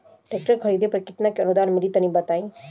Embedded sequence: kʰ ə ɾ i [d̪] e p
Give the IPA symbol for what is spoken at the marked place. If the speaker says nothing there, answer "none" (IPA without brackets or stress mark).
d̪